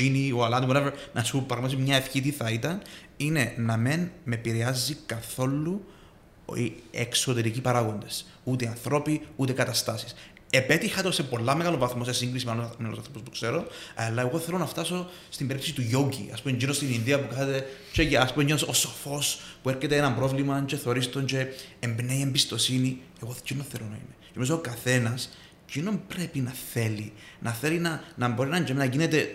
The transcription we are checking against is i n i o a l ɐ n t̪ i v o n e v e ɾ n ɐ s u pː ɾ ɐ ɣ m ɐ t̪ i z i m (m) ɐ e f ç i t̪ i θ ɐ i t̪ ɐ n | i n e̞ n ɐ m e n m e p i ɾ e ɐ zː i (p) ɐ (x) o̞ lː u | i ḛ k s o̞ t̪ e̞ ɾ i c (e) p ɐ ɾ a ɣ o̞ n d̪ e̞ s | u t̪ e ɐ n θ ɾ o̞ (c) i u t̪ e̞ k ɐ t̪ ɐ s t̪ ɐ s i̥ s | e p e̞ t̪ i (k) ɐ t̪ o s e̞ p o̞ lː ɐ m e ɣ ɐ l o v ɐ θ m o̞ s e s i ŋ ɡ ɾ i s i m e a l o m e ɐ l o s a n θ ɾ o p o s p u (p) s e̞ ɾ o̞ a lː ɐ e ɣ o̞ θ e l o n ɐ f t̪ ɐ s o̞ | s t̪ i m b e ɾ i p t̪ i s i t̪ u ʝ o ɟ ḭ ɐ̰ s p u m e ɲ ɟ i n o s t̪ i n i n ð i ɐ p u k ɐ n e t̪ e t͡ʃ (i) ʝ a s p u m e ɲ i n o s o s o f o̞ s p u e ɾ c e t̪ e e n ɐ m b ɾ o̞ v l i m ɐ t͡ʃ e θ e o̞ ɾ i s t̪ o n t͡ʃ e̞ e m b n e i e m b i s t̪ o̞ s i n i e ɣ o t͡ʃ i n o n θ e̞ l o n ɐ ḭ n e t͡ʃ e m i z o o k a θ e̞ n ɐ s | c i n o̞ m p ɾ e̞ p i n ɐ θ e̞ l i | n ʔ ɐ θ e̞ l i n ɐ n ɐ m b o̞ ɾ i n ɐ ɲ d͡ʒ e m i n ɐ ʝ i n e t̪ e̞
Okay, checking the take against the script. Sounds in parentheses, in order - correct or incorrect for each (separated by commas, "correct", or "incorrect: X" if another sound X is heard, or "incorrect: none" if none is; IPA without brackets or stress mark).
incorrect: ɲ, incorrect: k, incorrect: θ, incorrect: i, incorrect: p, incorrect: x, incorrect: k, incorrect: e